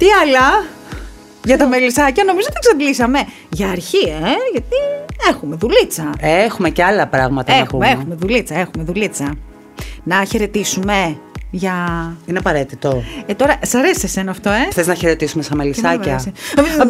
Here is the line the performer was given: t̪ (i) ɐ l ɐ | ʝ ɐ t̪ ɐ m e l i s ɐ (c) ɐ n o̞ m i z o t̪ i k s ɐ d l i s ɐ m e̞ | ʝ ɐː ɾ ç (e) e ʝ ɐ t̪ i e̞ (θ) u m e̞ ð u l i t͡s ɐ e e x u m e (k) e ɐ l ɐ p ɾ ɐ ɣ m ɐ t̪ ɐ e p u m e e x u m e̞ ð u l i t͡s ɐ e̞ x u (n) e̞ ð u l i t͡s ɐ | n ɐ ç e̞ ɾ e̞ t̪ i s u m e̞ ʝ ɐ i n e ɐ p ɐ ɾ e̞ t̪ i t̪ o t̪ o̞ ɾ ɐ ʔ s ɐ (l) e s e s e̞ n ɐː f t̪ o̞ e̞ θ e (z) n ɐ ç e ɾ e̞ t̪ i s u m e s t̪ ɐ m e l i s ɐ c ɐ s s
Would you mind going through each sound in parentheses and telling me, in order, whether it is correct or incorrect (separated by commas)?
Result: correct, correct, incorrect, incorrect, incorrect, incorrect, incorrect, correct